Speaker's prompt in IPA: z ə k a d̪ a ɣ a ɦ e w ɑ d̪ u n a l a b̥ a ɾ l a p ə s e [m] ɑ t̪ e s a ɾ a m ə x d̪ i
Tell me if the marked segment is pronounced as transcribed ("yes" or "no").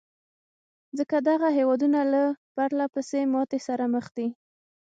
yes